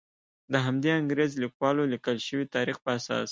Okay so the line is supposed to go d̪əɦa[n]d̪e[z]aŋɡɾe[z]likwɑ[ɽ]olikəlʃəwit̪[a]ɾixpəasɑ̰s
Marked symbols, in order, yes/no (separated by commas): no, no, yes, no, no